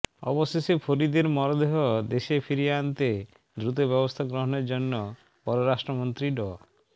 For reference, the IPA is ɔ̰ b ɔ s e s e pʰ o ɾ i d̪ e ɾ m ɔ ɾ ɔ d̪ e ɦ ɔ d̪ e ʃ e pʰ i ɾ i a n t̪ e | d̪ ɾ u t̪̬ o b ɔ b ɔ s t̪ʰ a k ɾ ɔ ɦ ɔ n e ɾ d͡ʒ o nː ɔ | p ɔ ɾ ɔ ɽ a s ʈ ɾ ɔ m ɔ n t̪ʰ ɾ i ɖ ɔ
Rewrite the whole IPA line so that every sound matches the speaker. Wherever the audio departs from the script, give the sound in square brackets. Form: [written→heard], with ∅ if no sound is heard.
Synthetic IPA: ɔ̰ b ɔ s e s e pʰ o ɾ i d̪ e ɾ m ɔ ɾ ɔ d̪ e ɦ ɔ d̪ e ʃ e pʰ i ɾ i a n t̪ e | d̪ ɾ u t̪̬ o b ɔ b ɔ s t̪ʰ a [k→ɡ] ɾ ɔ ɦ ɔ n e ɾ d͡ʒ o nː ɔ | p ɔ ɾ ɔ [ɽ→ɾ] a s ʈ ɾ ɔ m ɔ n [t̪ʰ→t̪] ɾ i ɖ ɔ